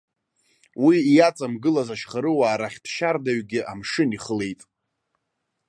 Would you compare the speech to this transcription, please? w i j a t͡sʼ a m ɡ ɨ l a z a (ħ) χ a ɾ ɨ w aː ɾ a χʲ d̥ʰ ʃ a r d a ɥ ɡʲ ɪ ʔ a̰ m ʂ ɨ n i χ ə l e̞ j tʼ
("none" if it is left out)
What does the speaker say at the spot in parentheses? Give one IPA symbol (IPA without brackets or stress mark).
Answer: ʃ